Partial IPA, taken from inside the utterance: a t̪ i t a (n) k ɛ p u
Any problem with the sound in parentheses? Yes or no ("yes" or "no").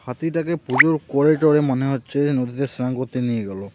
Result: yes